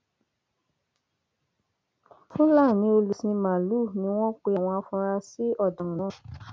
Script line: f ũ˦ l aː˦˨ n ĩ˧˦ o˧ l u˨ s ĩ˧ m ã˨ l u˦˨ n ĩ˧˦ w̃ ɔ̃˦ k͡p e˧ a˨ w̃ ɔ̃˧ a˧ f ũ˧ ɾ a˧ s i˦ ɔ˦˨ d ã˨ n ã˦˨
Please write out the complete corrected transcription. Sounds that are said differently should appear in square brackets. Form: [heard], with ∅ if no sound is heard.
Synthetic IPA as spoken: f ũ˦ l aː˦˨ n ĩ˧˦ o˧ l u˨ s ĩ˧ m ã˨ l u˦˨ n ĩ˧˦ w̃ ɔ̃˦ k͡p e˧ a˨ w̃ ɔ̃˧ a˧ f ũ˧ ɾ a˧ s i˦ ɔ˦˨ d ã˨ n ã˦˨